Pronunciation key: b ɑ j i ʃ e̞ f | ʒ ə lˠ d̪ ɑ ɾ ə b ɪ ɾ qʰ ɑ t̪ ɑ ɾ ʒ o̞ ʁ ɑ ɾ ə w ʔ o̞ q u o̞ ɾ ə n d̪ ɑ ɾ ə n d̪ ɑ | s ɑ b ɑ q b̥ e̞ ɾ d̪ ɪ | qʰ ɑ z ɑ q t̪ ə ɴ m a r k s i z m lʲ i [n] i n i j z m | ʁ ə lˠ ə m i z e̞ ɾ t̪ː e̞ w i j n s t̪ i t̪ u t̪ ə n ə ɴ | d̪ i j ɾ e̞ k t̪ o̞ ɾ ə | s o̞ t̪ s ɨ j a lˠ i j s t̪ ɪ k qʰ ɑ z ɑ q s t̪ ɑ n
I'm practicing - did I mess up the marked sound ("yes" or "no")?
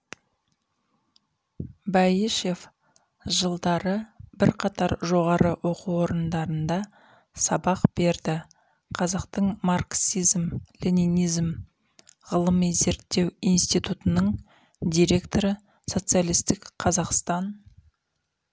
no